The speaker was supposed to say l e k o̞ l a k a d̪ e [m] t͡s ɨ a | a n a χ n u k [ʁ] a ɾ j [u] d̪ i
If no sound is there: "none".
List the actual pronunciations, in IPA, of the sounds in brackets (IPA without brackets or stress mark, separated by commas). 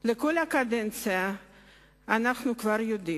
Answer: n, v, o